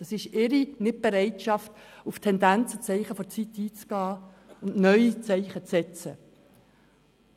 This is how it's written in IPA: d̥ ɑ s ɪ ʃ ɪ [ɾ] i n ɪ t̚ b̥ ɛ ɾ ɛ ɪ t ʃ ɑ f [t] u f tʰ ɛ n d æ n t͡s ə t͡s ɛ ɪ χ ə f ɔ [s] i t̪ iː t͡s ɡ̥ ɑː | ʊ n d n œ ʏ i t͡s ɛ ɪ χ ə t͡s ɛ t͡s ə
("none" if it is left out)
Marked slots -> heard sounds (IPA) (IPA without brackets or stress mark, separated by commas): ɾ, t, t͡s